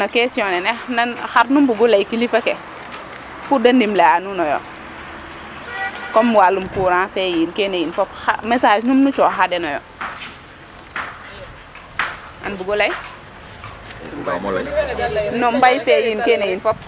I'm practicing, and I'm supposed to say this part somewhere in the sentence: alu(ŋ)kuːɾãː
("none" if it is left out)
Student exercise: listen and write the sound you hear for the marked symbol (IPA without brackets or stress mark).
m